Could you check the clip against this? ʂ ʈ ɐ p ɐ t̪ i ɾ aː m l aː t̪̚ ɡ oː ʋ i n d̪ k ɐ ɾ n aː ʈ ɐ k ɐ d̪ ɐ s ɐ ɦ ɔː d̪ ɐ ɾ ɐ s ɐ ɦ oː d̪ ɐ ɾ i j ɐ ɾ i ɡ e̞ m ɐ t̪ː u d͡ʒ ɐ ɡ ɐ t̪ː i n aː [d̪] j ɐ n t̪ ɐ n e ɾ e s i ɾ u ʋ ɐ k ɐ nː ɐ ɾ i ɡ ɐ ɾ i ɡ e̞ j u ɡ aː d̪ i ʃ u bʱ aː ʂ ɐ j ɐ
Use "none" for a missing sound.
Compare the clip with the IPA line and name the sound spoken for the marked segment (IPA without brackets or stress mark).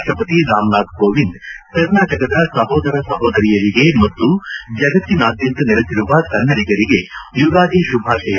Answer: d̪